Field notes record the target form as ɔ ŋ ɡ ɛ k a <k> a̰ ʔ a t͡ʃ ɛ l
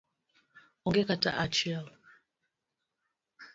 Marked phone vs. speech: incorrect: t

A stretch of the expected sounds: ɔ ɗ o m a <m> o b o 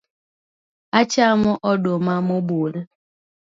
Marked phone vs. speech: correct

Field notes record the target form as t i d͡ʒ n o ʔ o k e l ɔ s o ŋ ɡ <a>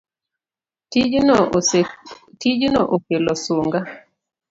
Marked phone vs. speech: correct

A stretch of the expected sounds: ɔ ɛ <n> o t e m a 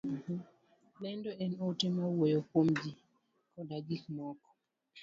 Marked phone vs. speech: correct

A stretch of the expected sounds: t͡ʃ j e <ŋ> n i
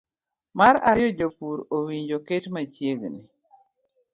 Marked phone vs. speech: incorrect: ɡ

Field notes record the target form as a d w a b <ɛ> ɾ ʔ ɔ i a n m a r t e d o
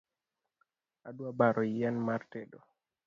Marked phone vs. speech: incorrect: a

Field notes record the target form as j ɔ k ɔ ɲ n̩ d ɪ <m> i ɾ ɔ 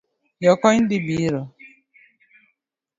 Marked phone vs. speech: incorrect: b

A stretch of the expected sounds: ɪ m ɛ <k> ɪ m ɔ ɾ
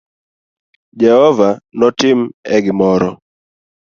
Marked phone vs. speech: incorrect: ɡ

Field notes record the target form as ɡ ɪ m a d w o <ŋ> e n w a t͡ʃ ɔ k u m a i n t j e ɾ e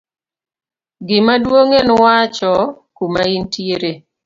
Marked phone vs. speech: correct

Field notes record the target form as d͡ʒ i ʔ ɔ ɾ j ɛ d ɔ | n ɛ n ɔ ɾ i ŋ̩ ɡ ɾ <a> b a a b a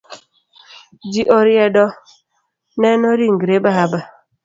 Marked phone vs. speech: incorrect: e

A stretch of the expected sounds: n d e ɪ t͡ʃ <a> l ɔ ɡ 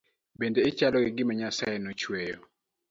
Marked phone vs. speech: correct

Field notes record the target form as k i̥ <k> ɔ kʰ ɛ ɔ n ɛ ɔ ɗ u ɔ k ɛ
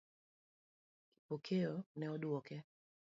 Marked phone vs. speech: incorrect: p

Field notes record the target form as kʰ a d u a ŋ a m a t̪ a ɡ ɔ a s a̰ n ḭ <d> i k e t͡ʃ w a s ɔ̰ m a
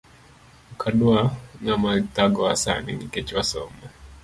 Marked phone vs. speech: incorrect: n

